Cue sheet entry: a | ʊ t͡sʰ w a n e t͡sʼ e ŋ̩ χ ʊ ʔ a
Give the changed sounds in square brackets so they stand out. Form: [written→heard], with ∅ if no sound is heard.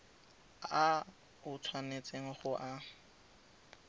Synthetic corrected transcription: a | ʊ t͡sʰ w a n e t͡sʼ e ŋ̩ χ ʊ ʔ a

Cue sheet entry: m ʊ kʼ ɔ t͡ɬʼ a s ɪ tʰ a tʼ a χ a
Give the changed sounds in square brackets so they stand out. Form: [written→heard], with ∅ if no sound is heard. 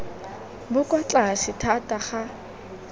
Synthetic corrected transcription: [m→b] ʊ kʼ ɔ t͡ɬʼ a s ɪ tʰ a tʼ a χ a

